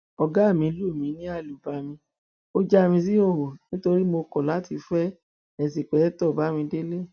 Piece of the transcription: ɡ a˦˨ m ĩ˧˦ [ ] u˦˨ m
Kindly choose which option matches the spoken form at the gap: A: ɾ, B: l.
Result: B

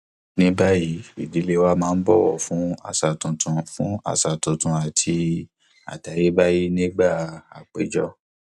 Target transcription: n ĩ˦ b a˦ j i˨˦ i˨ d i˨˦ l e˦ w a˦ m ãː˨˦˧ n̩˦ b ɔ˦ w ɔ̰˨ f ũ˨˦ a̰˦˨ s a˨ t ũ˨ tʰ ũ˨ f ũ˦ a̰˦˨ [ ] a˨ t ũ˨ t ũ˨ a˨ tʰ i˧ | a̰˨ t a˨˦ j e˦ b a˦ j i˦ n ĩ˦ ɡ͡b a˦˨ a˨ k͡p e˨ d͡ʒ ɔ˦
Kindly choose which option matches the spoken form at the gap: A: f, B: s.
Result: B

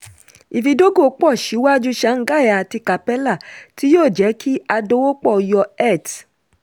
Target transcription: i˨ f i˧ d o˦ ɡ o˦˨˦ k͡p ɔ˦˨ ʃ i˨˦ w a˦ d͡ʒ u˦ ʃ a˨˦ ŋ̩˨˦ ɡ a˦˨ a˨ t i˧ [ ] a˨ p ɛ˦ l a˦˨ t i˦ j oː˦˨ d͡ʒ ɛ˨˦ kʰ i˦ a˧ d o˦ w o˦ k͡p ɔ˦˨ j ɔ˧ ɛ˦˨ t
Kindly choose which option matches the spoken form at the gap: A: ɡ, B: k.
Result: B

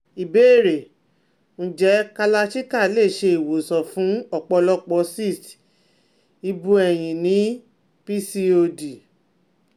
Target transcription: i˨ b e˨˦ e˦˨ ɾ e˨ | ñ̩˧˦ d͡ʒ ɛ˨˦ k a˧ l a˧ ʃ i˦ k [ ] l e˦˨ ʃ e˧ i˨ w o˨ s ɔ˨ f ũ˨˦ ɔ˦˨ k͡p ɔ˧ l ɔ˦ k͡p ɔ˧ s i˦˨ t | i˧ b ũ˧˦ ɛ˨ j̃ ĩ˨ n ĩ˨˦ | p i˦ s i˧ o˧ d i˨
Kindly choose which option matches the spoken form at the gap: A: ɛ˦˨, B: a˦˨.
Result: B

